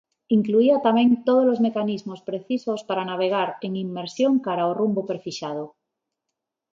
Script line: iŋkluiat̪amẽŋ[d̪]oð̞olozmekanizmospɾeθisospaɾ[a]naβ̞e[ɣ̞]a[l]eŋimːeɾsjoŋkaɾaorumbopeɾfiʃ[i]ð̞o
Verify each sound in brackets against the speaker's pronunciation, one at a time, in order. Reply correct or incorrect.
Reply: incorrect, correct, correct, incorrect, incorrect

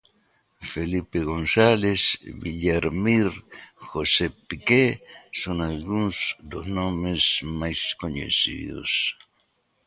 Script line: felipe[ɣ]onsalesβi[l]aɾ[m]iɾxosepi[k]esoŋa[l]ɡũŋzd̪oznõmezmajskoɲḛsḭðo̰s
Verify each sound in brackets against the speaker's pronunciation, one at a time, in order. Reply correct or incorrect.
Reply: correct, incorrect, correct, correct, correct

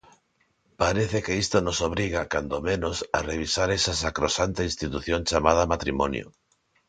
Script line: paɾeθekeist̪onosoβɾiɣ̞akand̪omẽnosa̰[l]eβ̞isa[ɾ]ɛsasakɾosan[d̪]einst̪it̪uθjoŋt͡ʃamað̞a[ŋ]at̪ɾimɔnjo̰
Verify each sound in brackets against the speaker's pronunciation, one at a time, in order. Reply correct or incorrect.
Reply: incorrect, correct, incorrect, incorrect

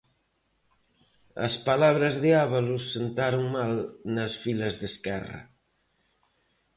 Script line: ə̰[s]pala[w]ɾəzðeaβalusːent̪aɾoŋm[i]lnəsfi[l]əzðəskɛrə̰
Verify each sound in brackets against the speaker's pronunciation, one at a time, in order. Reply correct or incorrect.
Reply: correct, incorrect, incorrect, correct

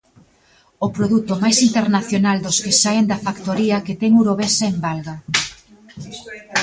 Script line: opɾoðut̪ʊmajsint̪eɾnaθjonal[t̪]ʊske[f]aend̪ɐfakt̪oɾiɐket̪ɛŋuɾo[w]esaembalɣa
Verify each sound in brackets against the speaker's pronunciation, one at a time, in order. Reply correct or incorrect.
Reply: incorrect, incorrect, incorrect

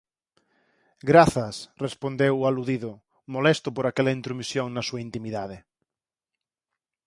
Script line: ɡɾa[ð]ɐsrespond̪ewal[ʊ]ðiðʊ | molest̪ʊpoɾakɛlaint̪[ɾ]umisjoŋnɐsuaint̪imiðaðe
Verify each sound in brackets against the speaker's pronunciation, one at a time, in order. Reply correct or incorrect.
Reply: incorrect, incorrect, correct

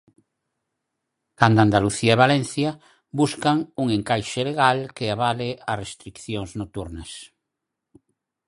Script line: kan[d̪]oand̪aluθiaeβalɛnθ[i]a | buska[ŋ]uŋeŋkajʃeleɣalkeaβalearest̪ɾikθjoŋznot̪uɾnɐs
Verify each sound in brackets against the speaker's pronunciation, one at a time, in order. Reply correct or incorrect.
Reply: correct, incorrect, correct

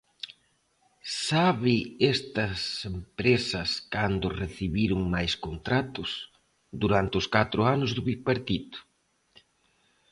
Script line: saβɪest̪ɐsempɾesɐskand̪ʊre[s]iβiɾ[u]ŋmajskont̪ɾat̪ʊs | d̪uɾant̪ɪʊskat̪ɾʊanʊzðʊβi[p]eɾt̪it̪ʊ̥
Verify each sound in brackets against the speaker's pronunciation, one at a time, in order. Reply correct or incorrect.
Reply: incorrect, incorrect, correct

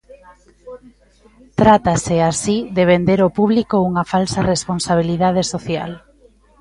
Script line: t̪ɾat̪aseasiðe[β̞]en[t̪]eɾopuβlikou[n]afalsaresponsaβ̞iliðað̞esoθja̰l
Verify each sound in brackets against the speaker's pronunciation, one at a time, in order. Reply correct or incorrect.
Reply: correct, incorrect, incorrect

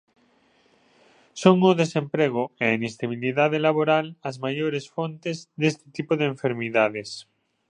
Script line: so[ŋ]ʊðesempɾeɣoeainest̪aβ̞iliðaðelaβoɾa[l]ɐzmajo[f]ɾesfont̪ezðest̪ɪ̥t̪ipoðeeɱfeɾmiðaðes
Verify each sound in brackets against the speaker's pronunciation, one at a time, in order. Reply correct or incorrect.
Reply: correct, correct, incorrect

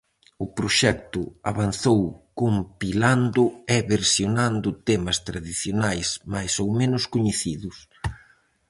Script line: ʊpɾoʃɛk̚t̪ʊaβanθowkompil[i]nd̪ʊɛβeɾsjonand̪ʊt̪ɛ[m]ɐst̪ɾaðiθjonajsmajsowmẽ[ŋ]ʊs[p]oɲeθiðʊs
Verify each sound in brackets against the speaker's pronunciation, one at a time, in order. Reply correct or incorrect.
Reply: incorrect, correct, incorrect, incorrect

